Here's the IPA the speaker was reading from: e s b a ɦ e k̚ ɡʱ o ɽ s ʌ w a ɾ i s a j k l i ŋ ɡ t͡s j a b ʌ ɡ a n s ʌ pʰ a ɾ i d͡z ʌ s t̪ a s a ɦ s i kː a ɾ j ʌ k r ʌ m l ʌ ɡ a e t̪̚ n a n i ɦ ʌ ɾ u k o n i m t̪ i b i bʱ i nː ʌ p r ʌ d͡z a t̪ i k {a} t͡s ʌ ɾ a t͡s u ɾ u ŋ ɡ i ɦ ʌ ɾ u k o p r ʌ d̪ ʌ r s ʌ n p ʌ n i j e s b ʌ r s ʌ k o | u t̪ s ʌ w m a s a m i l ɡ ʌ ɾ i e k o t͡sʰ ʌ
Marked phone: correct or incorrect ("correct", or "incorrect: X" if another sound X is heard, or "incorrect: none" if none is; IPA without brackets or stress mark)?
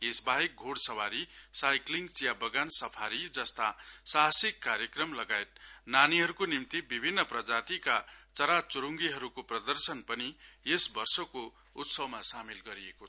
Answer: correct